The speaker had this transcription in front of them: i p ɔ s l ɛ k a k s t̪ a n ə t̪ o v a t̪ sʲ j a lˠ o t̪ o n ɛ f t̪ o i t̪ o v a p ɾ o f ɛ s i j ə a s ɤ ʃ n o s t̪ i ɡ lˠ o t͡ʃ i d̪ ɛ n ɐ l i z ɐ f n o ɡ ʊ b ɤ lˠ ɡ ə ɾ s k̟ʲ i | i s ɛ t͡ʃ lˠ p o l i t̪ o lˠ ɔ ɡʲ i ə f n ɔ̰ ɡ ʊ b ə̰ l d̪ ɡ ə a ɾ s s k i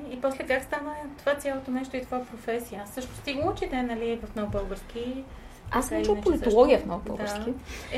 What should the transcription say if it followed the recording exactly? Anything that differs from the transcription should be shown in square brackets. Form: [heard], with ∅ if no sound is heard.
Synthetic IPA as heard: i p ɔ s l ɛ k a k s t̪ a n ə t̪ o v a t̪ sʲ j a lˠ o t̪ o n ɛ [ʃ] t̪ o i t̪ o v a p ɾ o f ɛ s i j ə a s ɤ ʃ n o s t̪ i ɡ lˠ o t͡ʃ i d̪ ɛ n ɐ l i [v] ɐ f n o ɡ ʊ b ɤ lˠ ɡ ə ɾ s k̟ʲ i | [a] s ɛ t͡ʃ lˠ p o l i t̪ o lˠ ɔ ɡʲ i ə f n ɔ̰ ɡ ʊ b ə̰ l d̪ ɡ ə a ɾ s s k i